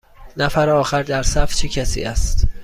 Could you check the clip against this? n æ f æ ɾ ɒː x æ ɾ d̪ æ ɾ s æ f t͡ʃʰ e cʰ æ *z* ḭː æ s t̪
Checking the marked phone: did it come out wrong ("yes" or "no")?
yes